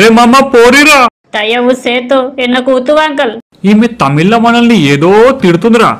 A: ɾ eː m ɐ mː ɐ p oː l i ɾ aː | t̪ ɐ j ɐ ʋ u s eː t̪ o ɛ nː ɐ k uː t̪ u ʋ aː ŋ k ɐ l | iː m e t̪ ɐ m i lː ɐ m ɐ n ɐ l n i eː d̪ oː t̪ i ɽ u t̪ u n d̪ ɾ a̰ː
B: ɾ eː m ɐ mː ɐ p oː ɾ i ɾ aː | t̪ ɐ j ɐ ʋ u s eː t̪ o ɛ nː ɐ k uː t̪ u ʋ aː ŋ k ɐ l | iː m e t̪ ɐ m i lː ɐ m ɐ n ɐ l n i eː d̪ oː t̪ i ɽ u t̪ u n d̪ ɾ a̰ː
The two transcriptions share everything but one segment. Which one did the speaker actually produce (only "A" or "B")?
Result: B